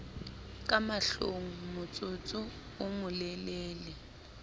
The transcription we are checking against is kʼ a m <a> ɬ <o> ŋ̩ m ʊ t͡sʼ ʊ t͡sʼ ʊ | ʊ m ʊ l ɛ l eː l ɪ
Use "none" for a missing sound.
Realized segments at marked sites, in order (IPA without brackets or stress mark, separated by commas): a, o